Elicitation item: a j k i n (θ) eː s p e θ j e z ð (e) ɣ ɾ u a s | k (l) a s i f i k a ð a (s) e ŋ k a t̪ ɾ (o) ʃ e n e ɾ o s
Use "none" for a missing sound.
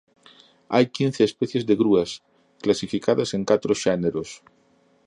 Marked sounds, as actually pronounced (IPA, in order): θ, e, l, s, o

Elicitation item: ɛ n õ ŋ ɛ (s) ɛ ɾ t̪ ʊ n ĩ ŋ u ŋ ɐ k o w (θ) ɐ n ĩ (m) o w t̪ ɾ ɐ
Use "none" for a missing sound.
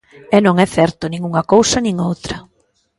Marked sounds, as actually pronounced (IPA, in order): θ, s, ŋ

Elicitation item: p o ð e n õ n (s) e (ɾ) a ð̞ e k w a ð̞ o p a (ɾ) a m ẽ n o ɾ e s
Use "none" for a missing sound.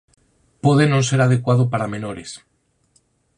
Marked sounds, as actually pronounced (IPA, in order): s, ɾ, ɾ

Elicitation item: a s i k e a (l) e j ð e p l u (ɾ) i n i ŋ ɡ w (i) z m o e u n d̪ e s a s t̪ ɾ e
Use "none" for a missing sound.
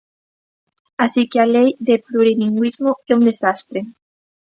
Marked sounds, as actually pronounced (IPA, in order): l, ɾ, i

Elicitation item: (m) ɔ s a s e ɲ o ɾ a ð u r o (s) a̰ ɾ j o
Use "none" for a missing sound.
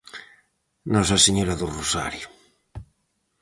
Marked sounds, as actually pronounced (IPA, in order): n, s

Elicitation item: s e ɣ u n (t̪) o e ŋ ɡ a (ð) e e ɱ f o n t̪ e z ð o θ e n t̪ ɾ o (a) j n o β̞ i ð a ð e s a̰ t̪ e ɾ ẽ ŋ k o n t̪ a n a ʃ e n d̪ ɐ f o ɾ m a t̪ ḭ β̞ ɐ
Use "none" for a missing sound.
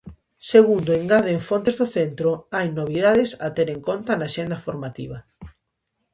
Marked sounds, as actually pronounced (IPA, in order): d̪, ð, a

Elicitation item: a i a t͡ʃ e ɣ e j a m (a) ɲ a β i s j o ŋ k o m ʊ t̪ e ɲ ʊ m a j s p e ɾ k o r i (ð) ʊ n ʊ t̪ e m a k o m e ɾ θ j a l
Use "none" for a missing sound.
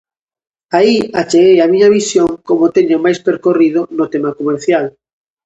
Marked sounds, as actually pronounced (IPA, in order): i, ð

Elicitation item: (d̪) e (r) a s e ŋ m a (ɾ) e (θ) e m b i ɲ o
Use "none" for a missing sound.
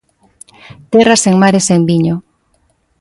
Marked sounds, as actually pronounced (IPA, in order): t̪, r, ɾ, s

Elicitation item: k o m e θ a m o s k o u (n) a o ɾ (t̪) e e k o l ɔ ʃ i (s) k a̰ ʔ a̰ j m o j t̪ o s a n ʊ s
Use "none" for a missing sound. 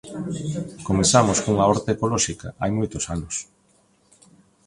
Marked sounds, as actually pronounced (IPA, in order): ŋ, t̪, none

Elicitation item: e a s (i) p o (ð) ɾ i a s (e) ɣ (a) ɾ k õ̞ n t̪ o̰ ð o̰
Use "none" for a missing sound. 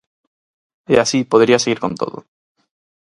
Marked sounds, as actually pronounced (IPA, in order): i, ð, e, i

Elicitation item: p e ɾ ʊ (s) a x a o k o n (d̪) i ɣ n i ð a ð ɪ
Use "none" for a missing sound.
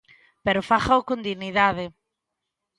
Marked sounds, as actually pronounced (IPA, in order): f, d̪

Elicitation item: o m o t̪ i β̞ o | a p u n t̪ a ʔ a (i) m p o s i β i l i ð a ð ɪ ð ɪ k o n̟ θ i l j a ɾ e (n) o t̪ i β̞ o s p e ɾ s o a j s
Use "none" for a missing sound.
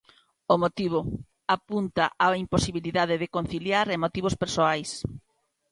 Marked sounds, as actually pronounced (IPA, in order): i, m

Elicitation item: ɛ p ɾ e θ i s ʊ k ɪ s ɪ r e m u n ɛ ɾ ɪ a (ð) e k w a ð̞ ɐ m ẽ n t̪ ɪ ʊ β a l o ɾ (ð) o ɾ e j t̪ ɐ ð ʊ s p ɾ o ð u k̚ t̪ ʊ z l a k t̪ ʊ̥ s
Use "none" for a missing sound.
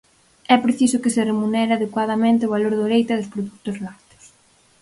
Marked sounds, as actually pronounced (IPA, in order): ð, ð

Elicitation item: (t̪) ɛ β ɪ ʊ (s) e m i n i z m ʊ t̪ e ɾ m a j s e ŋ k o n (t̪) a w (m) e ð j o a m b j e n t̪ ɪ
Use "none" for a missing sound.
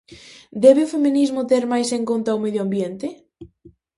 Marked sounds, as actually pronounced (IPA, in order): d̪, f, t̪, m

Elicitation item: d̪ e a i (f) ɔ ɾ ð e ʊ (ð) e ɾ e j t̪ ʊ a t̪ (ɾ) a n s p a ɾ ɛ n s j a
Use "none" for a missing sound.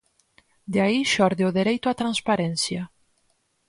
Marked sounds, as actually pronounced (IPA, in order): ʃ, ð, ɾ

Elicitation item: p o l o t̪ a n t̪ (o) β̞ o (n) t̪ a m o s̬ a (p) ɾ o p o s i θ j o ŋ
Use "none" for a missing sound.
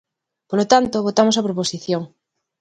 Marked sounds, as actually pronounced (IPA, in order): o, none, p

